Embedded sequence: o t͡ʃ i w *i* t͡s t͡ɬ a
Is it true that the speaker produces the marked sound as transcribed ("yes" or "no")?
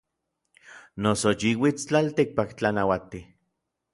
yes